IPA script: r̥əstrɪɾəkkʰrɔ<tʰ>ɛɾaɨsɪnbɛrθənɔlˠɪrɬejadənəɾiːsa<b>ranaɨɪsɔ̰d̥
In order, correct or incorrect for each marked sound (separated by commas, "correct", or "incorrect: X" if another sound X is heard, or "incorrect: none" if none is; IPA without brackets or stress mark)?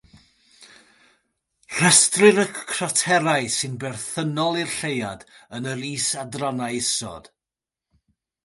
correct, incorrect: d